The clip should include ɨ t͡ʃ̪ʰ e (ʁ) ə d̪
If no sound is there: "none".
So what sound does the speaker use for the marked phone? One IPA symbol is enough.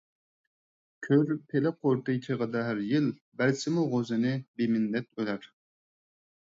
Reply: ʁ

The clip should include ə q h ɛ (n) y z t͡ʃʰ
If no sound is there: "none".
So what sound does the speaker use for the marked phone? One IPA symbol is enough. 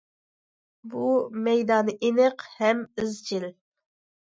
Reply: m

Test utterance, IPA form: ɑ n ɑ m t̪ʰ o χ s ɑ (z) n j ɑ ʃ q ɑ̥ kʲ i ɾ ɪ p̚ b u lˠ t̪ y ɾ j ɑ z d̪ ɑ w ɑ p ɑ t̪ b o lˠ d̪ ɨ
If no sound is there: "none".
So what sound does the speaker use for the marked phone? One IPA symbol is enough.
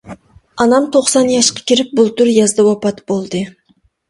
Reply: none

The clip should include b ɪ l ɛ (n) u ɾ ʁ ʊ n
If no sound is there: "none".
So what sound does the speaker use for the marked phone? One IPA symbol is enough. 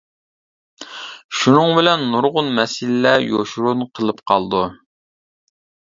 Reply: nː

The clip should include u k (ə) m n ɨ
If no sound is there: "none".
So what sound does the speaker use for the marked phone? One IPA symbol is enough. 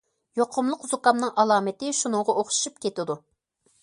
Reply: ɑ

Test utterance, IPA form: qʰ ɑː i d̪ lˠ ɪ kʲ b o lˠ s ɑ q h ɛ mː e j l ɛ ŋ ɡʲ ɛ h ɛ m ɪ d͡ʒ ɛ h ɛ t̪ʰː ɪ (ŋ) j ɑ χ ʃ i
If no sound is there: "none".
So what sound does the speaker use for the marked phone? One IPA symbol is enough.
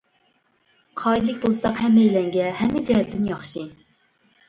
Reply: n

